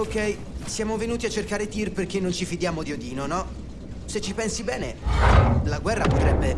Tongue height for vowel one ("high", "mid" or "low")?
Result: mid